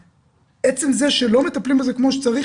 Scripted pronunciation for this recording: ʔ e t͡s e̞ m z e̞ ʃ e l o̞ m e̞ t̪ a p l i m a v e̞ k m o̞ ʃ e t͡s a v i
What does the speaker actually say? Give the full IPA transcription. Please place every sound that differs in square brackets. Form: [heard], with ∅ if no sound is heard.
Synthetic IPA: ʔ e t͡s e̞ m z e̞ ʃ e l o̞ m e̞ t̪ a p l i m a [z] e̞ k m o̞ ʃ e t͡s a [ʁ] i